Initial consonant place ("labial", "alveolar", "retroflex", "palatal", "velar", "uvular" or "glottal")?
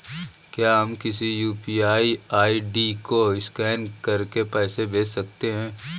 velar